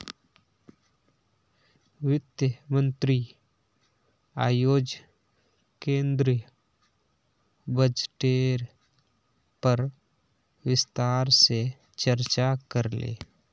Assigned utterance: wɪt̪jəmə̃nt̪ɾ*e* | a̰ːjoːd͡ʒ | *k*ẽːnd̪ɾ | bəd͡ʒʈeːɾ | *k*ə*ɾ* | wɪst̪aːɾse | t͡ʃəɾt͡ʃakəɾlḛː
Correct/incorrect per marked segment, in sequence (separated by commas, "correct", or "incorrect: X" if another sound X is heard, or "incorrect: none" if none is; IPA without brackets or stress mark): incorrect: i, correct, incorrect: p, correct